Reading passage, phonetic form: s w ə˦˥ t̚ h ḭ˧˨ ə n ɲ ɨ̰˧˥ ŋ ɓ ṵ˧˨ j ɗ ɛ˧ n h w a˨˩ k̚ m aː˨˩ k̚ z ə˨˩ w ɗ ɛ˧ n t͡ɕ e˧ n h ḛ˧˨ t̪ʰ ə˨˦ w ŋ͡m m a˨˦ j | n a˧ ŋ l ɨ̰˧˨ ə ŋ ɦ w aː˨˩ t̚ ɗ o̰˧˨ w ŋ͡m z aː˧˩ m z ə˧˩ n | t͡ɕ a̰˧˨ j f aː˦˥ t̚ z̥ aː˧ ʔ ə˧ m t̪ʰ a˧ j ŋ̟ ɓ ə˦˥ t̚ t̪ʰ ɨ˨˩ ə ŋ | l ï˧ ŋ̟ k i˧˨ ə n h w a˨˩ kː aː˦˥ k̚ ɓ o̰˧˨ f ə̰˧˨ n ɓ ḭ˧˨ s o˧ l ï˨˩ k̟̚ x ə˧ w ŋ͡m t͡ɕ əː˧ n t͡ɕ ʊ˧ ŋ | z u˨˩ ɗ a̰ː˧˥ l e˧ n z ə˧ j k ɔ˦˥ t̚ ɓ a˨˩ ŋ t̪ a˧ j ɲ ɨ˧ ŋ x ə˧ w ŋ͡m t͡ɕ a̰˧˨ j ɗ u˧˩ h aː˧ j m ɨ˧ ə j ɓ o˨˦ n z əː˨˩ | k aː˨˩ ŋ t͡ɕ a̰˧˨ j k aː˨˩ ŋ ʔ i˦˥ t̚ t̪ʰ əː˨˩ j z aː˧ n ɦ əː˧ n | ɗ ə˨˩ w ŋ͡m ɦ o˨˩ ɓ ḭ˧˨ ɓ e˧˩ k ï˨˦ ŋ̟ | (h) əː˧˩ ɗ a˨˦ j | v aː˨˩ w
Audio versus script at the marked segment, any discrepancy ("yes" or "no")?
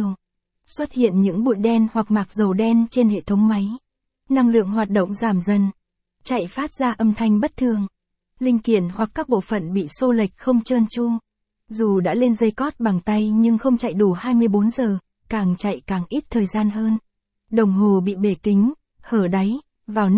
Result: no